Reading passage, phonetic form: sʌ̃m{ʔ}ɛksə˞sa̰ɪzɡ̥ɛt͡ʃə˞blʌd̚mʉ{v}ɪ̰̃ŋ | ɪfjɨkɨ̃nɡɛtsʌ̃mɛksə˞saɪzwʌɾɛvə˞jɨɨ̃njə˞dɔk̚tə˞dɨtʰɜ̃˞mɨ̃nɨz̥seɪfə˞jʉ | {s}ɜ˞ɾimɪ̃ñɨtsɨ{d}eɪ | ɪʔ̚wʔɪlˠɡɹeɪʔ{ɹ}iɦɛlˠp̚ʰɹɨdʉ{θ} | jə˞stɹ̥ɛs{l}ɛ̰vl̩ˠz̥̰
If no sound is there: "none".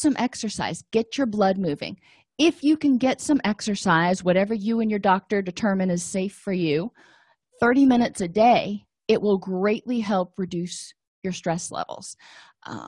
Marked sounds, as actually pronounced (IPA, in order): ʔ, v, θ, d, l, s, l

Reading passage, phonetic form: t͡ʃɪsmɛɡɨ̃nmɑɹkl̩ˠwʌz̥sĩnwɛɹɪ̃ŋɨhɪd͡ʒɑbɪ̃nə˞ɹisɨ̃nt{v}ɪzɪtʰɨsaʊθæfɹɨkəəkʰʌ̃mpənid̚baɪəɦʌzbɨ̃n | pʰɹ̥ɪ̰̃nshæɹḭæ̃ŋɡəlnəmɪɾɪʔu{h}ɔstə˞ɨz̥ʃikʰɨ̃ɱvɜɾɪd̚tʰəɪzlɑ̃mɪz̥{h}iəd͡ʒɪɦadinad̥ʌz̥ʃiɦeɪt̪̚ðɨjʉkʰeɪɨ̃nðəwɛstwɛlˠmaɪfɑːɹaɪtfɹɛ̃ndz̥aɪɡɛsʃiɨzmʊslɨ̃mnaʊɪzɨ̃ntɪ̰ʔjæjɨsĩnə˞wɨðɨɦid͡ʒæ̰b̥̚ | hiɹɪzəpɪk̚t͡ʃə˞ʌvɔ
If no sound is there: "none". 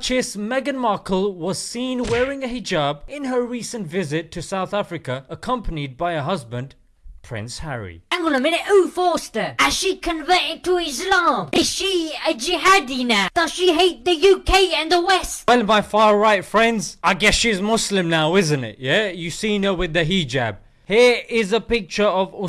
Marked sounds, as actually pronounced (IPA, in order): v, f, ʃ

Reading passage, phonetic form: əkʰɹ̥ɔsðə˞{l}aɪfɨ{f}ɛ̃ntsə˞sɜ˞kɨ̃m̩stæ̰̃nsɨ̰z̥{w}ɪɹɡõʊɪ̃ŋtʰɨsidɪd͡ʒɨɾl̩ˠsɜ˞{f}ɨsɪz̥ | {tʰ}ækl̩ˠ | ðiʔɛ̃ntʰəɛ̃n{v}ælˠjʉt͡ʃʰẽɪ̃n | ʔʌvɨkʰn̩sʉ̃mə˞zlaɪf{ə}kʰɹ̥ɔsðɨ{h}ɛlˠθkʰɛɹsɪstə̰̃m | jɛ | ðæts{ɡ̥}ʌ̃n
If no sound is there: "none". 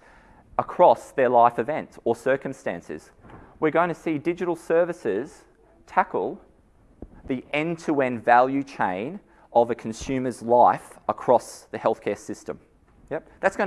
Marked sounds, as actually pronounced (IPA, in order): l, v, w, v, tʰ, v, ə, h, ɡ̥

